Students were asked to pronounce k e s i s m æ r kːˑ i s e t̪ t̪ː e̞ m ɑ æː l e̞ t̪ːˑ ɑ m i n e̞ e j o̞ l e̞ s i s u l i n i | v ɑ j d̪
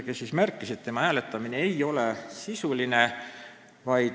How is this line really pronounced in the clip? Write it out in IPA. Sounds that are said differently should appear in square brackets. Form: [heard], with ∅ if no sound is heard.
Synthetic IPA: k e s i s m æ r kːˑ i s e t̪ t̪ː e̞ m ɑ æː l e̞ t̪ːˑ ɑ m i n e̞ e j o̞ l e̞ s i s u l i n [e] | v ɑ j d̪